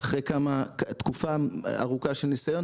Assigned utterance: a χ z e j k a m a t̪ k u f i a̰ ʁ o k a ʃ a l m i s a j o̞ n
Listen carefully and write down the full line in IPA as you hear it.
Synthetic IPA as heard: a χ ʁ e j k a m a t̪ k u f a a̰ ʁ u k a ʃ e l n i s a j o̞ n